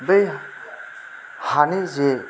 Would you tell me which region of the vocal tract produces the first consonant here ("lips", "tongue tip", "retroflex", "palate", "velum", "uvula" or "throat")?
lips